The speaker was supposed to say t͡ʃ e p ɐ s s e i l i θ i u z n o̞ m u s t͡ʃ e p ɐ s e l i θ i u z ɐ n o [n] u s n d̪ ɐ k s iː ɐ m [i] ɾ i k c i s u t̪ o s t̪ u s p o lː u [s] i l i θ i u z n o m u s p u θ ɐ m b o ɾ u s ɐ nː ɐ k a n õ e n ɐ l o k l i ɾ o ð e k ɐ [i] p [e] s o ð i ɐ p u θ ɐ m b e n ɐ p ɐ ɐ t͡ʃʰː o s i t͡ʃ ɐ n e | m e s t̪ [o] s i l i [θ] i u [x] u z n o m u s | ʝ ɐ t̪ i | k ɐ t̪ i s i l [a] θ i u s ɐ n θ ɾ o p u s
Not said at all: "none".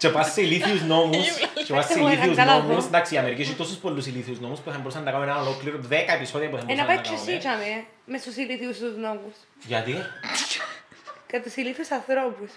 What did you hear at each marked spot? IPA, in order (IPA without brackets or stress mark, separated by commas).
m, e, s, e, i, u, θ, s, i